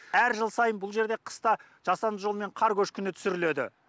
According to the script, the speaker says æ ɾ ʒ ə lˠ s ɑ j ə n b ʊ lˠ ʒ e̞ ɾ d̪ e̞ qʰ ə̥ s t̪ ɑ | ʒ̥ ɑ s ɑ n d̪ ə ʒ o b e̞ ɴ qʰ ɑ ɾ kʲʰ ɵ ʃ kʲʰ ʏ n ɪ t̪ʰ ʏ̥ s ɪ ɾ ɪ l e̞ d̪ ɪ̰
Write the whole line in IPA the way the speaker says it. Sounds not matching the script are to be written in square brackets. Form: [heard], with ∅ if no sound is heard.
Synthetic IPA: æ ɾ ʒ ə lˠ s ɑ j ə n b ʊ lˠ ʒ e̞ ɾ d̪ e̞ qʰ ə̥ s t̪ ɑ | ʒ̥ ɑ s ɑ n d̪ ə ʒ o [m] e̞ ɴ qʰ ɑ ɾ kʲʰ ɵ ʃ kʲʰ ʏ n ɪ t̪ʰ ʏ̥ s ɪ ɾ ɪ l e̞ d̪ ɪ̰